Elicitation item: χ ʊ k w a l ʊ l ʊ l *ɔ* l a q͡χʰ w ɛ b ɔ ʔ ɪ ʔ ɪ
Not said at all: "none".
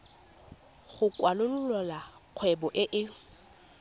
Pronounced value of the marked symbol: ɔ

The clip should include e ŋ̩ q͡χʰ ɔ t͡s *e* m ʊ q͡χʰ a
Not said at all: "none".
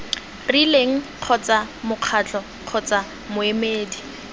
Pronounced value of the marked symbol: a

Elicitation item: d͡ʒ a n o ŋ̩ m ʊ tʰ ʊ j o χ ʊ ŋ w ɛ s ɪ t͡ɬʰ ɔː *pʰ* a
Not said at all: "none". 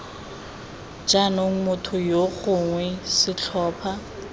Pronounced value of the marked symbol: pʰ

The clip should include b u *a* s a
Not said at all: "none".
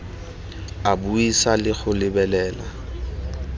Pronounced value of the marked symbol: i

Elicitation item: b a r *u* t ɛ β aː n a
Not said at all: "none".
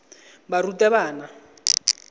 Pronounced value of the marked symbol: u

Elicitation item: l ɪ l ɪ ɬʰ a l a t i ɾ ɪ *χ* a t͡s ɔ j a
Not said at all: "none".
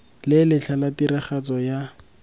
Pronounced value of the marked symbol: χ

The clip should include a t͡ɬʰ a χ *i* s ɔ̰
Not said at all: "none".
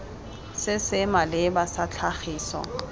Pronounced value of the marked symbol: iː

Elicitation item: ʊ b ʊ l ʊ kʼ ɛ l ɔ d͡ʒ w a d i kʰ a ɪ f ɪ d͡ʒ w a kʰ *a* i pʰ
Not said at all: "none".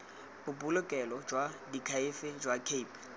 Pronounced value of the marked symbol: e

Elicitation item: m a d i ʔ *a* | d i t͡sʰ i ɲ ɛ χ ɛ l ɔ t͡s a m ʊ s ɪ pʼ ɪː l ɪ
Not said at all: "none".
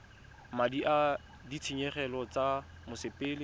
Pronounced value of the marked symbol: a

